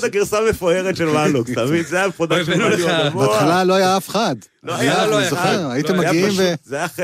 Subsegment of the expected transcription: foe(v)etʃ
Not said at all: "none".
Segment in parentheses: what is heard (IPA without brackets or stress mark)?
ʁ